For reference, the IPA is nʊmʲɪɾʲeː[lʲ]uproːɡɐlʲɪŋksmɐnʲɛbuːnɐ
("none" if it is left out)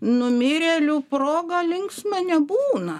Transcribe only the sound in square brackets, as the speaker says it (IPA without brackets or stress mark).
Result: lʲ